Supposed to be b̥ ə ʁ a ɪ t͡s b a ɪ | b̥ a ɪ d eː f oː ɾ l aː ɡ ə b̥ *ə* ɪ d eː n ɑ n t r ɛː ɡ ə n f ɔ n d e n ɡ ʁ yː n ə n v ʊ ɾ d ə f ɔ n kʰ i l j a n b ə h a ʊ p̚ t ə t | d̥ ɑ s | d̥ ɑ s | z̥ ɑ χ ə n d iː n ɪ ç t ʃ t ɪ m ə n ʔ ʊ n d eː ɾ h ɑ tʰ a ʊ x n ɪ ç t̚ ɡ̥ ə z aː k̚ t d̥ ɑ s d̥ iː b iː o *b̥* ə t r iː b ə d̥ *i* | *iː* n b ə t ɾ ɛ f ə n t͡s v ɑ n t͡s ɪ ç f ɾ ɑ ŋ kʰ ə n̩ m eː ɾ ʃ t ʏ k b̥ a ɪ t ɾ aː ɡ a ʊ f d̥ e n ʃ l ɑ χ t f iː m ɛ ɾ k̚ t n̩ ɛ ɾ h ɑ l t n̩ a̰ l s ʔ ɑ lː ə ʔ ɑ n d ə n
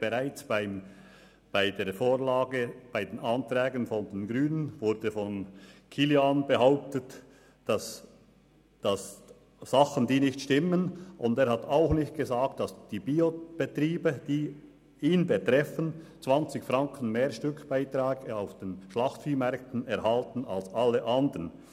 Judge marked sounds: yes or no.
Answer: no, yes, no, yes

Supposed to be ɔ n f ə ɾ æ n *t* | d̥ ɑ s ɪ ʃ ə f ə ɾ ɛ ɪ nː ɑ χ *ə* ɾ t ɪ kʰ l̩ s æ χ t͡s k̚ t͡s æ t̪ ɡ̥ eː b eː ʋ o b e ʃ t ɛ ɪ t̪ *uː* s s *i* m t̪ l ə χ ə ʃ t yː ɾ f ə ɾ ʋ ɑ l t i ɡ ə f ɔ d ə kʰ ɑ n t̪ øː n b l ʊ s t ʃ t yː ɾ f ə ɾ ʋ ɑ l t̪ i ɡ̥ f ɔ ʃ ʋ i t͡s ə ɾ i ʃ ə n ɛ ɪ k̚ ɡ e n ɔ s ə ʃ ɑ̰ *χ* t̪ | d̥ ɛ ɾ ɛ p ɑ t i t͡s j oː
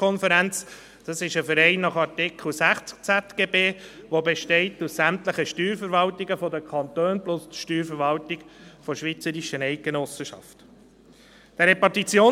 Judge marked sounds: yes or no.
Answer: no, no, no, no, no

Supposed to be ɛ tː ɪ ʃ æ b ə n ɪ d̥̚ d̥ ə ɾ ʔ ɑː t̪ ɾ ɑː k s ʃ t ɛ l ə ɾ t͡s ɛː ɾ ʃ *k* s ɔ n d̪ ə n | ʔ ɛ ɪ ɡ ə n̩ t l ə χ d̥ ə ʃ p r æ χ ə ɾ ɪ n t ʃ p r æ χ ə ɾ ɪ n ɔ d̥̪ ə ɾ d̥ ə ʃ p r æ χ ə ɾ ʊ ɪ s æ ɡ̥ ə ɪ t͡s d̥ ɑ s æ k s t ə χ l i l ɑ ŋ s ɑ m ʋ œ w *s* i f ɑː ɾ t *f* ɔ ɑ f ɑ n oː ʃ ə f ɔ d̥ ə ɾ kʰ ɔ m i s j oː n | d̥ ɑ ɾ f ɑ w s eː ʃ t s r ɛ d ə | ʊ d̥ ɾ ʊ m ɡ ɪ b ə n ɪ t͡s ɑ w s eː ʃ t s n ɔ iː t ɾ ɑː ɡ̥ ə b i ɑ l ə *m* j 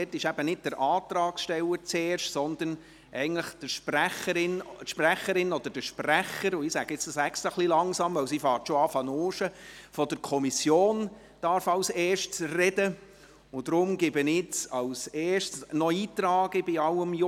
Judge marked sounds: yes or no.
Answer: no, yes, no, yes

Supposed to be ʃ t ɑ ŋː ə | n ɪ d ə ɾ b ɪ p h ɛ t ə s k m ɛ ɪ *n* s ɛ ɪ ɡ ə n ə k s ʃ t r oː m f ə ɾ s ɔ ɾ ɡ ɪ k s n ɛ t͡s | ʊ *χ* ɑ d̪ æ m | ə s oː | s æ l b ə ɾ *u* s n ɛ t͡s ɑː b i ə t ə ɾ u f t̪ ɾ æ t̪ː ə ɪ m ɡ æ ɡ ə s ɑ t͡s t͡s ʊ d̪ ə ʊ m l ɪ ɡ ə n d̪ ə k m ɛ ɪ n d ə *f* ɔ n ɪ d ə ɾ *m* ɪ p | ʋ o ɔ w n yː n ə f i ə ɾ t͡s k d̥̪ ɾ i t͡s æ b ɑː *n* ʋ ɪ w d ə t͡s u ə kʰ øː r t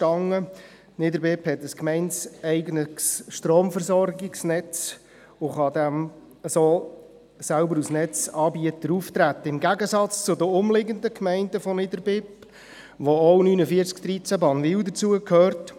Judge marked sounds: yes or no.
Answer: yes, yes, yes, yes, no, yes

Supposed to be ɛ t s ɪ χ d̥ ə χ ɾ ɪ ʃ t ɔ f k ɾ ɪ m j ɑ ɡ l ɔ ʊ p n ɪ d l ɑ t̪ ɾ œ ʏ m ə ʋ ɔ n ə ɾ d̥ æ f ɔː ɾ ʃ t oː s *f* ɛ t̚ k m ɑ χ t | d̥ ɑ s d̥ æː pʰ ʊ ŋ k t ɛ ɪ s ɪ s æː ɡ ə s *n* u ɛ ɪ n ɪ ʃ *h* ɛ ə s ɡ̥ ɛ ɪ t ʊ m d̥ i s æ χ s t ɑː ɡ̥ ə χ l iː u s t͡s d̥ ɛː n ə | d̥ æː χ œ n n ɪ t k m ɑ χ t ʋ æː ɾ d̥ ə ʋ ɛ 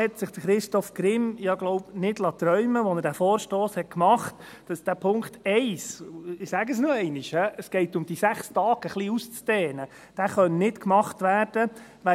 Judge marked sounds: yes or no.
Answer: no, yes, yes

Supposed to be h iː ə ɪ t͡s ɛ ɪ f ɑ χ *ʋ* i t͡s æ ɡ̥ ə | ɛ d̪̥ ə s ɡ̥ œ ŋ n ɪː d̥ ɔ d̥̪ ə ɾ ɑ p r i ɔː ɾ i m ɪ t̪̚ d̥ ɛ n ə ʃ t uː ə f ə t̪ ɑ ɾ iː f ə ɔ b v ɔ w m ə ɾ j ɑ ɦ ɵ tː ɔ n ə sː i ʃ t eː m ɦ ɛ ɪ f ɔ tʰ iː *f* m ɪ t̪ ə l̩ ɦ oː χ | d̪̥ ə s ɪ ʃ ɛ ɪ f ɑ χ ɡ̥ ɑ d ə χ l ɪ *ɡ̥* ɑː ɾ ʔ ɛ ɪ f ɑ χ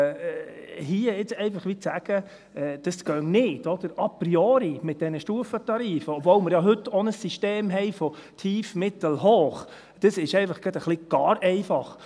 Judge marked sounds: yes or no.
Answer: yes, yes, yes

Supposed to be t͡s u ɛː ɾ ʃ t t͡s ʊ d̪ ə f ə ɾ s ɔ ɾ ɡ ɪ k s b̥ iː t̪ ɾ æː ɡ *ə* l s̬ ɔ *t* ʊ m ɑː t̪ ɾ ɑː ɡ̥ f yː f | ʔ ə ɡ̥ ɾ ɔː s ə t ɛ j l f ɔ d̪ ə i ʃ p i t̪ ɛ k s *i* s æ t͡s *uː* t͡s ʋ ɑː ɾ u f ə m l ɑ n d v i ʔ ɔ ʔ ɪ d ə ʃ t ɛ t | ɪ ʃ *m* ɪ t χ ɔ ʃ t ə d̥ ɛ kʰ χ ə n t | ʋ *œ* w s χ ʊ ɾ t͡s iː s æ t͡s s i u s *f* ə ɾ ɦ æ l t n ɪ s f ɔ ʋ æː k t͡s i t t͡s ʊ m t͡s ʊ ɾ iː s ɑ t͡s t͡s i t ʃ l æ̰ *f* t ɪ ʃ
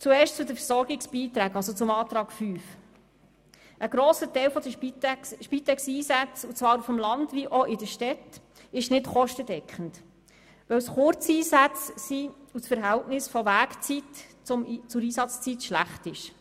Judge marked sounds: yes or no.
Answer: no, no, no, no, no, yes, yes, no

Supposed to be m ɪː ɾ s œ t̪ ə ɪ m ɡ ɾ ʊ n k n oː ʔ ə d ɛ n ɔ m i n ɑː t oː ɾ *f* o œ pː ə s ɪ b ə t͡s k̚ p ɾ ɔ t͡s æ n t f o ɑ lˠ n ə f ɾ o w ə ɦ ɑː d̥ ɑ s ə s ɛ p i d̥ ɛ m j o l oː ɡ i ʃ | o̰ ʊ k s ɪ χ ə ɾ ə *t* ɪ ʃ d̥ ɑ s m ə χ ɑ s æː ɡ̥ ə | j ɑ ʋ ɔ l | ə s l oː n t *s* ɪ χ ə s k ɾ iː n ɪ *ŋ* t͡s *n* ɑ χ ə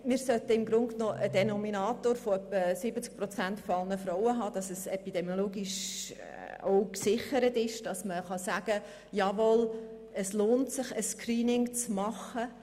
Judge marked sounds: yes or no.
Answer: yes, yes, yes, yes, no

